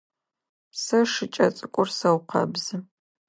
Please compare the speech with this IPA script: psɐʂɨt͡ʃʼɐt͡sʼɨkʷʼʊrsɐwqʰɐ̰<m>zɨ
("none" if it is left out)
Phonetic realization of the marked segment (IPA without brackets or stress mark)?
b